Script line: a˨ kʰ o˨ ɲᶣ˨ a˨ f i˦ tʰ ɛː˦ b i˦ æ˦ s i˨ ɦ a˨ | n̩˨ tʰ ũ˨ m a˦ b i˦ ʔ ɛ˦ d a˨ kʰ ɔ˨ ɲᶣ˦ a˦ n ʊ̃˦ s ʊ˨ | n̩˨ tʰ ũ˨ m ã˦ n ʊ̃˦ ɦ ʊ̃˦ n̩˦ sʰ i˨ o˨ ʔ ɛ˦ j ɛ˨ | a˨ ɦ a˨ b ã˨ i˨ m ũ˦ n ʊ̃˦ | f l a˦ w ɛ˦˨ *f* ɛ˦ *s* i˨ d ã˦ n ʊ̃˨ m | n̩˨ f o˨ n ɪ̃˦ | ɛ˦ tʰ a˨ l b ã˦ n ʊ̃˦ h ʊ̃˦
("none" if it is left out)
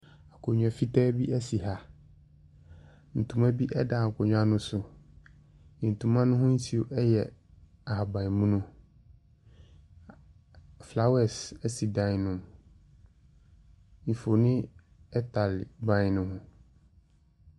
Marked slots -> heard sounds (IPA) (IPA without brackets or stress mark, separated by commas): s, s